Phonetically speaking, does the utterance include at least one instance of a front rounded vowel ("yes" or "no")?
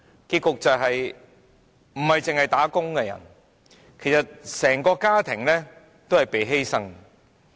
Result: no